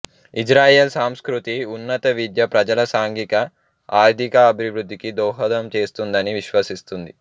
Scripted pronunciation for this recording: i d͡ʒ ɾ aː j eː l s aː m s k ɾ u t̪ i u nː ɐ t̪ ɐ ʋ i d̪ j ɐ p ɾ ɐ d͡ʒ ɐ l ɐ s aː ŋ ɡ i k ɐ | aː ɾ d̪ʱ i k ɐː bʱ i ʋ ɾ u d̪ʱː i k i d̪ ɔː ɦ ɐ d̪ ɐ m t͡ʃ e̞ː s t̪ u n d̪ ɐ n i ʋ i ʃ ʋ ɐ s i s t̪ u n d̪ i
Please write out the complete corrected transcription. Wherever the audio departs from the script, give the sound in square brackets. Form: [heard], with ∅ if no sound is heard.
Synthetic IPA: i d͡ʒ ɾ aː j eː l s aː m s k ɾ u t̪ i u nː ɐ t̪ ɐ ʋ i d̪ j ɐ p ɾ ɐ d͡ʒ ɐ l ɐ s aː ŋ ɡ i k ɐ | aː ɾ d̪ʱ i k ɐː bʱ i ʋ ɾ u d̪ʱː i k i d̪ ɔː ɦ ɐ d̪ ɐ m t͡ʃ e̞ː s t̪ u n d̪ ɐ n i ʋ i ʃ ʋ ɐ s i s t̪ u n d̪ i

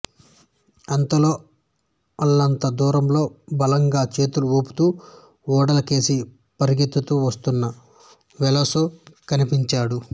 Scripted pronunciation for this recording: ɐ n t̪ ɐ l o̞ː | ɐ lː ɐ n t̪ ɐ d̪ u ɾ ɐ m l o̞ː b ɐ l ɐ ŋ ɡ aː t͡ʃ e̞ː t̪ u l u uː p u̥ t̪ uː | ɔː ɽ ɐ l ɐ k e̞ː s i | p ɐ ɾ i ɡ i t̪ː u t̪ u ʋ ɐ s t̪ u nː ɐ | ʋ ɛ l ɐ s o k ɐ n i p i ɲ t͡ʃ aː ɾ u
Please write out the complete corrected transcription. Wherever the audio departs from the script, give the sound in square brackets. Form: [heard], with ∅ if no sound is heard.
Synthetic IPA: ɐ n t̪ ɐ l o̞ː | ɐ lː ɐ n t̪ ɐ d̪ [uː] ɾ ɐ m l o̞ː b ɐ l ɐ ŋ ɡ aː t͡ʃ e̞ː t̪ u l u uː p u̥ t̪ uː | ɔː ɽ ɐ l ɐ k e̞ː s i | p ɐ ɾ i ɡ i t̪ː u t̪ u ʋ ɐ s t̪ u nː ɐ | ʋ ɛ l ɐ s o k ɐ n i p i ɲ t͡ʃ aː [ɽ] u

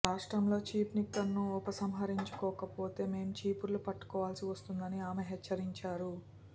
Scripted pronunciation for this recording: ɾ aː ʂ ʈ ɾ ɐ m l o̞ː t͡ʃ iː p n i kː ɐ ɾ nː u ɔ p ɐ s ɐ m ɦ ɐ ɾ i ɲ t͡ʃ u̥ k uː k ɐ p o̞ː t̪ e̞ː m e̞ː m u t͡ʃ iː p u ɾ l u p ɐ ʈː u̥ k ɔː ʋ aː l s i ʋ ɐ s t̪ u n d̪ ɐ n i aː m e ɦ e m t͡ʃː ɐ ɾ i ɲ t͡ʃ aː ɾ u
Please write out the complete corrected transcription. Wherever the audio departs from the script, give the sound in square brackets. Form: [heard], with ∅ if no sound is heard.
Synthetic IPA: ɾ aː ʂ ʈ ɾ ɐ m l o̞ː t͡ʃ iː p n i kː ɐ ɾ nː u ɔ p ɐ s ɐ m ɦ ɐ ɾ i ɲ t͡ʃ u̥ k [ɔː] k ɐ p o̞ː t̪ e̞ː m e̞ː m u t͡ʃ iː p u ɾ l u p ɐ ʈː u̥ k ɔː ʋ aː l s i ʋ ɐ s t̪ u n d̪ ɐ n i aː m e ɦ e [∅] t͡ʃː ɐ ɾ i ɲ t͡ʃ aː ɾ u

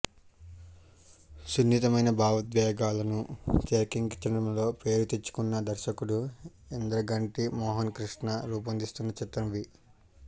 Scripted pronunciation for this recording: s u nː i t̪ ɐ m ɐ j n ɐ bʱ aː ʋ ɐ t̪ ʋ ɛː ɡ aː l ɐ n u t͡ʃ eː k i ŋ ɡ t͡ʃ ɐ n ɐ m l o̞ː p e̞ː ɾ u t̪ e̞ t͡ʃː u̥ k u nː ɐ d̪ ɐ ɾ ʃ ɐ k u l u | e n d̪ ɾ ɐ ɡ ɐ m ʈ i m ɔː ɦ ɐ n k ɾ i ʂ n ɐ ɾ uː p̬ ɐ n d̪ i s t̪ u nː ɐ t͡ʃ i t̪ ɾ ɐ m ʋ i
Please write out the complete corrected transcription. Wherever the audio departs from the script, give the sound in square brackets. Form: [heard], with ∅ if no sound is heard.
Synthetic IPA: s u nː i t̪ ɐ m ɐ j n ɐ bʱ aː ʋ ɐ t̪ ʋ ɛː ɡ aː l ɐ n u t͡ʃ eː k i ŋ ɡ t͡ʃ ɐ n ɐ m l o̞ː p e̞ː ɾ u t̪ e̞ t͡ʃː u̥ k u nː ɐ d̪ ɐ ɾ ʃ ɐ k u [ɽ] u | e n d̪ ɾ ɐ ɡ ɐ [ɳ] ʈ i m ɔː ɦ ɐ n k ɾ i ʂ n ɐ ɾ uː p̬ ɐ n d̪ i s t̪ u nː ɐ t͡ʃ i t̪ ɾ ɐ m ʋ i

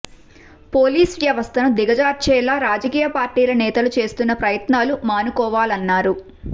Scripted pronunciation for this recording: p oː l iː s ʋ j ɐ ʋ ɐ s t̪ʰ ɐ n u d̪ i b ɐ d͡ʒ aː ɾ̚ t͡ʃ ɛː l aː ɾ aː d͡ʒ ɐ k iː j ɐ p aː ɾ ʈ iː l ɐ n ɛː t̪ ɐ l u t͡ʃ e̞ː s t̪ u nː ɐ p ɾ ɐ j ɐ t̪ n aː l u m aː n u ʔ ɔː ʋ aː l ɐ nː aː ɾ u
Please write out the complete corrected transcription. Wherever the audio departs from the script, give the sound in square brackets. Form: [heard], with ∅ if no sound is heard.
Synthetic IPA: p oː l iː s ʋ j ɐ ʋ ɐ s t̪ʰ ɐ n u d̪ i [ɡ] ɐ d͡ʒ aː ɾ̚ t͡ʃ ɛː l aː ɾ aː d͡ʒ ɐ k iː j ɐ p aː ɾ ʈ iː l ɐ n ɛː t̪ ɐ l u t͡ʃ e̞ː s t̪ u nː ɐ p ɾ ɐ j ɐ t̪ n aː l u m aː n u [k] ɔː ʋ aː l ɐ nː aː ɾ u

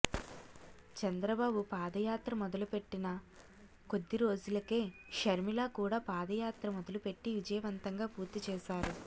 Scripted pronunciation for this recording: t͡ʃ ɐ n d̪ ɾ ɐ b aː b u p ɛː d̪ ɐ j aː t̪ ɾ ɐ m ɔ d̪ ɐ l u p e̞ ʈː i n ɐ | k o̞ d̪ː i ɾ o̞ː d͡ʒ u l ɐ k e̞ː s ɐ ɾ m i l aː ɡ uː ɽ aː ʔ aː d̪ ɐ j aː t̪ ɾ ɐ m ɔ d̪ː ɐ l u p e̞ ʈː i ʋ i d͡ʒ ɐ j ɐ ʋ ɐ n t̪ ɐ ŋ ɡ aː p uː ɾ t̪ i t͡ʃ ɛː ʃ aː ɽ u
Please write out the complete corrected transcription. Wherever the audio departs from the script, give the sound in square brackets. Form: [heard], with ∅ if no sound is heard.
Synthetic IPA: t͡ʃ ɐ n d̪ ɾ ɐ b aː b u p [aː] d̪ ɐ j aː t̪ ɾ ɐ m ɔ d̪ ɐ l u p e̞ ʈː i n ɐ | k o̞ d̪ː i ɾ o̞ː d͡ʒ u l ɐ k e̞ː [ʃ] ɐ ɾ m i l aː [k] uː ɽ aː [p] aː d̪ ɐ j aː t̪ ɾ ɐ m ɔ [d̪] ɐ l u p e̞ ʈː i ʋ i d͡ʒ ɐ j ɐ ʋ ɐ n t̪ ɐ ŋ ɡ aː p uː ɾ t̪ i t͡ʃ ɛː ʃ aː [ɾ] u

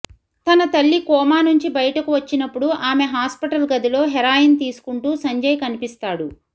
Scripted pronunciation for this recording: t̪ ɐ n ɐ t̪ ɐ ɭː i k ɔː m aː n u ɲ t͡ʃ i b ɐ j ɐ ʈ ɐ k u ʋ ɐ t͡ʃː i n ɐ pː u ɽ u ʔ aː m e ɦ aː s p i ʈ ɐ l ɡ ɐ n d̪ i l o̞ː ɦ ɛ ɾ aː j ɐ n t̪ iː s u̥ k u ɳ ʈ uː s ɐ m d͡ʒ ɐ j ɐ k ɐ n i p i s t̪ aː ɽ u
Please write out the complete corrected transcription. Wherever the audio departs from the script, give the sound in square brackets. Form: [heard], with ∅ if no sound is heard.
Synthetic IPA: t̪ ɐ n ɐ t̪ ɐ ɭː i k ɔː m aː n u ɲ t͡ʃ i b ɐ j ɐ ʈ ɐ k u ʋ ɐ t͡ʃː i n ɐ pː u ɽ u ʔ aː m e ɦ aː s p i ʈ ɐ l ɡ ɐ [∅] d̪ i l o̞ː ɦ ɛ ɾ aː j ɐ n t̪ iː s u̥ k u ɳ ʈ uː s ɐ [ɲ] d͡ʒ ɐ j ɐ k ɐ n i p i s t̪ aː ɽ u

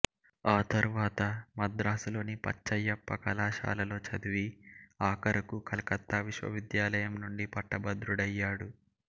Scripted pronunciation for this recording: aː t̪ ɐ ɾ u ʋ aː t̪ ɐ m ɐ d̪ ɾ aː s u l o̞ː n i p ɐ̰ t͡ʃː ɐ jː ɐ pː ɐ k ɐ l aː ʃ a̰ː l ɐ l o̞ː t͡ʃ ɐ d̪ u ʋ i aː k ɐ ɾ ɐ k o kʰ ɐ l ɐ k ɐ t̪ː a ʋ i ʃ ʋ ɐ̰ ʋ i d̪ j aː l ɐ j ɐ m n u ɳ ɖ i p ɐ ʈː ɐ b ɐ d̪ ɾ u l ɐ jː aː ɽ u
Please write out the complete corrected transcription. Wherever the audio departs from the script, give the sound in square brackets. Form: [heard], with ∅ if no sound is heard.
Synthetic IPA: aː t̪ ɐ ɾ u ʋ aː t̪ ɐ m ɐ d̪ ɾ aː s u l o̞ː n i p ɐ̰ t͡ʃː ɐ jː ɐ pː ɐ k ɐ l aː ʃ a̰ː l ɐ l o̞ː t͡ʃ ɐ d̪ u ʋ i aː k ɐ ɾ ɐ k [u] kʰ ɐ l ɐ k ɐ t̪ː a ʋ i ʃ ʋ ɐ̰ ʋ i d̪ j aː l ɐ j ɐ m n u ɳ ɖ i p ɐ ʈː ɐ b ɐ d̪ ɾ u [ɽ] ɐ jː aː ɽ u

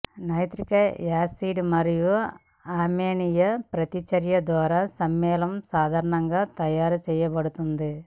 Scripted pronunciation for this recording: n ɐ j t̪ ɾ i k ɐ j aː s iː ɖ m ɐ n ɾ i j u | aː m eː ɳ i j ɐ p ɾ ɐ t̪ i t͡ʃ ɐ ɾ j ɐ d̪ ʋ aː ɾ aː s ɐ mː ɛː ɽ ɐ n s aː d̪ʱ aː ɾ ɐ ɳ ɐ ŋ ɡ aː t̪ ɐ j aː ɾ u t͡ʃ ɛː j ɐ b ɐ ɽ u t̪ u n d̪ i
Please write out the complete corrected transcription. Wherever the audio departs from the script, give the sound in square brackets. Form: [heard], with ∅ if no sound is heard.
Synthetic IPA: n ɐ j t̪ ɾ i k ɐ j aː s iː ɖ m ɐ [∅] ɾ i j u | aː m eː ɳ i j ɐ p ɾ ɐ t̪ i t͡ʃ ɐ ɾ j ɐ d̪ ʋ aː ɾ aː s ɐ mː ɛː [l] ɐ [m] s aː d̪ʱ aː ɾ ɐ ɳ ɐ ŋ ɡ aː t̪ ɐ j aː ɾ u t͡ʃ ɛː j ɐ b ɐ ɽ u t̪ u n d̪ i

